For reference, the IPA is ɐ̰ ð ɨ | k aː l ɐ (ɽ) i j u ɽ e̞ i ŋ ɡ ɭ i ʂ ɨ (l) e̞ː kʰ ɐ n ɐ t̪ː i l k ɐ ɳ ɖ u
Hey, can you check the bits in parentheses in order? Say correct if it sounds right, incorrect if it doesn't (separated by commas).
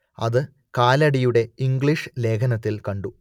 correct, correct